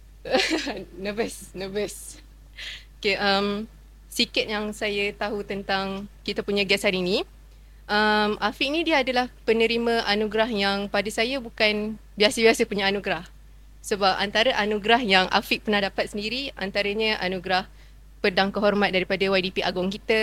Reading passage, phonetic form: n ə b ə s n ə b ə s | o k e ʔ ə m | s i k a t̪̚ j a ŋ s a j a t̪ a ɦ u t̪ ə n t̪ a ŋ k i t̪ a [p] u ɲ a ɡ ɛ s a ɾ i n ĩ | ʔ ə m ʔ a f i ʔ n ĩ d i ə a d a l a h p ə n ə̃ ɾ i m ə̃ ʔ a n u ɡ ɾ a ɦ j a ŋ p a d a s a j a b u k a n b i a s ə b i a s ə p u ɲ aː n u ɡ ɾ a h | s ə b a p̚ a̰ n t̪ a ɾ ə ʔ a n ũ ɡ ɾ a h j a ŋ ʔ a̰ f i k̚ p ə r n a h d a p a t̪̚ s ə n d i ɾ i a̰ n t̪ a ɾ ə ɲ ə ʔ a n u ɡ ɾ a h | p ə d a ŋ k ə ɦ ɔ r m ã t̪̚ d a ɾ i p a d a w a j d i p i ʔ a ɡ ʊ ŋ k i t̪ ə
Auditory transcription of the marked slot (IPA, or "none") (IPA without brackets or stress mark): p